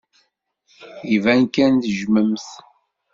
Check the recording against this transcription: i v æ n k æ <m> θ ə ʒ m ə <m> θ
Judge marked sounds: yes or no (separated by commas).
no, yes